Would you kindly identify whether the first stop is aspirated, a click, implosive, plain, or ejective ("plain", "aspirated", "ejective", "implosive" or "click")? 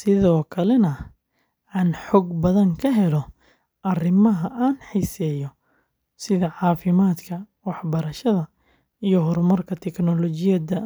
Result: aspirated